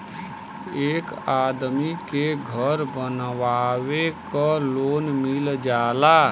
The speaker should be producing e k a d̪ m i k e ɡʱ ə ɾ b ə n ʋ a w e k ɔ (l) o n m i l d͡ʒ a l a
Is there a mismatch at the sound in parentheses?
no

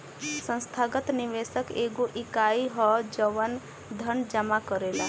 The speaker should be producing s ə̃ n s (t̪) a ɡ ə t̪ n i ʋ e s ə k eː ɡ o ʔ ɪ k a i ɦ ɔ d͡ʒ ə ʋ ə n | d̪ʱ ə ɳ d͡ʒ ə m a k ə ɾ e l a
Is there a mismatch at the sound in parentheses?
yes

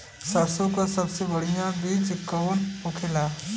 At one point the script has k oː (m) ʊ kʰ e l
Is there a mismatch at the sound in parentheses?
yes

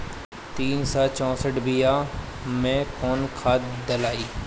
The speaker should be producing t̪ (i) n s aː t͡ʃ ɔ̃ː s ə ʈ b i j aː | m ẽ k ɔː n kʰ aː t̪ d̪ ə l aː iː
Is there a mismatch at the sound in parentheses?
yes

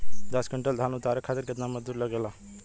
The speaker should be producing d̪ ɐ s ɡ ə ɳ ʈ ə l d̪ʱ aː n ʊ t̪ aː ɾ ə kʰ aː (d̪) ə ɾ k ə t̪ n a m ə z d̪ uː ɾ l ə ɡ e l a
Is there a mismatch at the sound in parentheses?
yes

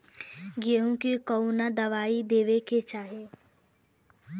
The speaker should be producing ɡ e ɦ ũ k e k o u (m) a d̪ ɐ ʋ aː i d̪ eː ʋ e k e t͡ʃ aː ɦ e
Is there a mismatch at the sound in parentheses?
yes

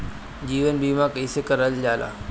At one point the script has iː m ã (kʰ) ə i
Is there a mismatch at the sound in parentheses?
yes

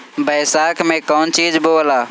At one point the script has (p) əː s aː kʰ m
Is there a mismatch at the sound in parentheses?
yes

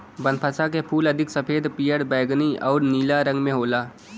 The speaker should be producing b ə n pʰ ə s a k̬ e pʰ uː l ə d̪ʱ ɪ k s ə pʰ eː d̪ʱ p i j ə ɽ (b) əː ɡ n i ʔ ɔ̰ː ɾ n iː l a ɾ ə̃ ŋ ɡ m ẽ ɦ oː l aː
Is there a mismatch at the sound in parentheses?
no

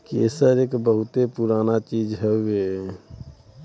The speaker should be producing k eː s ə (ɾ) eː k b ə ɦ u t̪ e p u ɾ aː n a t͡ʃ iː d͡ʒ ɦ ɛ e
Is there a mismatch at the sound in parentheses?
no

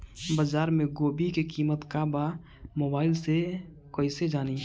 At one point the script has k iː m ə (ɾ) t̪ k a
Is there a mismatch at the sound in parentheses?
yes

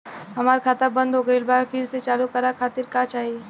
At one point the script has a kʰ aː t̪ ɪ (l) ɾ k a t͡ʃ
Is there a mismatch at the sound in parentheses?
yes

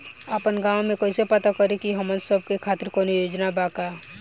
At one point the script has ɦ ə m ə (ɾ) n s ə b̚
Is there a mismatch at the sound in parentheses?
yes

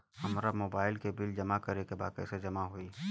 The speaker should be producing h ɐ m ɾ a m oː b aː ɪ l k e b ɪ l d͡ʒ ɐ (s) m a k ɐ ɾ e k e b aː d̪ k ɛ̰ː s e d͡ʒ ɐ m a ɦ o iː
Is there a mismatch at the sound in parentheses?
yes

